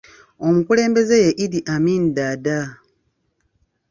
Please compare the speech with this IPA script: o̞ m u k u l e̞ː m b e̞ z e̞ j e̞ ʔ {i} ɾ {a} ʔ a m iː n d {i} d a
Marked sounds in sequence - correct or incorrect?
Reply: correct, incorrect, incorrect

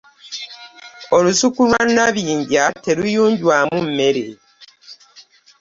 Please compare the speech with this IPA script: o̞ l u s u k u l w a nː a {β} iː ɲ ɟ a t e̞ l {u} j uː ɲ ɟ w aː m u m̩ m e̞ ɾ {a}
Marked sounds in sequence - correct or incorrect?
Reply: correct, correct, incorrect

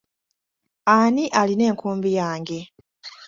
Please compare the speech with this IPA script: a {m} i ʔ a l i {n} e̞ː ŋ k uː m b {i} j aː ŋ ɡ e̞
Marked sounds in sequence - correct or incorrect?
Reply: incorrect, correct, correct

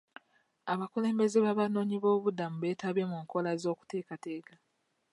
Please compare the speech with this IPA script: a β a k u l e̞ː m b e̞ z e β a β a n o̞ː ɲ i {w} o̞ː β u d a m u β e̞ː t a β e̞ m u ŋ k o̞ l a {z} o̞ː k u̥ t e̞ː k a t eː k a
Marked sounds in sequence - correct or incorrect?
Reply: incorrect, correct

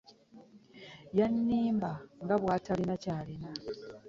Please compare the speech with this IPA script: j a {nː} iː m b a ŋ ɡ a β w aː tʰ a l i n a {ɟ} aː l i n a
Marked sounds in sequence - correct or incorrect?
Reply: correct, incorrect

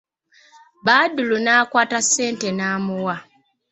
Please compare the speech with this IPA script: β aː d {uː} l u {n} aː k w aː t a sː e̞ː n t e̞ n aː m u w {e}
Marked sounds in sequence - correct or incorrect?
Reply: incorrect, correct, incorrect

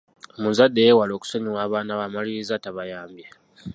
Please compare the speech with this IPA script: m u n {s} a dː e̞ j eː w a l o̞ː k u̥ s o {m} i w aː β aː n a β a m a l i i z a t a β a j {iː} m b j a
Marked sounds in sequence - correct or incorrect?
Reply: incorrect, incorrect, incorrect

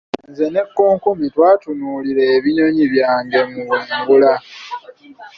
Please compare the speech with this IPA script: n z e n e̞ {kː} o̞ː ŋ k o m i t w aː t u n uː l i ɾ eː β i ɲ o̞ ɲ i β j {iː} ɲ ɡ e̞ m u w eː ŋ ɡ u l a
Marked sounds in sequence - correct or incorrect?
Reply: correct, incorrect

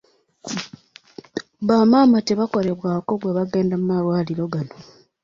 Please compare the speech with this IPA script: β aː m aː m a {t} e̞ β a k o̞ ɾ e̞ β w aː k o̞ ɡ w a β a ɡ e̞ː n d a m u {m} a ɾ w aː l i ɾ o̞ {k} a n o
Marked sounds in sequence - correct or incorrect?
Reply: correct, correct, incorrect

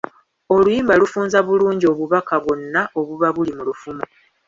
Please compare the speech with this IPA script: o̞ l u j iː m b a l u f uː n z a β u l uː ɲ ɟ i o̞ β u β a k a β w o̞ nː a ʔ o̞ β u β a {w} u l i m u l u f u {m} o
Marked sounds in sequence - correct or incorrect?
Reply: incorrect, correct

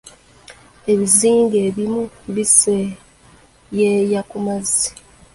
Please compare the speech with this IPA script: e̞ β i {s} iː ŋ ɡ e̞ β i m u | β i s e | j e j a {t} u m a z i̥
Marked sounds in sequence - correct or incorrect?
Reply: incorrect, incorrect

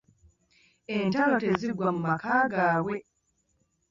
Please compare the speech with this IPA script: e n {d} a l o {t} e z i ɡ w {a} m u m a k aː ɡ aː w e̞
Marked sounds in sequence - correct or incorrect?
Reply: incorrect, correct, correct

